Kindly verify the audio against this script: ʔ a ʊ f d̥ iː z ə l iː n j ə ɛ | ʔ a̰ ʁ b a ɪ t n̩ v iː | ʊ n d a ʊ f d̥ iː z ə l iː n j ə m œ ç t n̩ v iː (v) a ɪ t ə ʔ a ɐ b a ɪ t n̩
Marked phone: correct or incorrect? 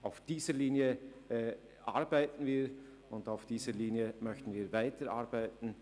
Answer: correct